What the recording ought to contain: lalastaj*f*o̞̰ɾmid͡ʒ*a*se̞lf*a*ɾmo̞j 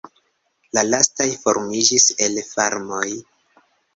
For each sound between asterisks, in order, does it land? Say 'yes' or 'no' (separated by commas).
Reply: yes, no, yes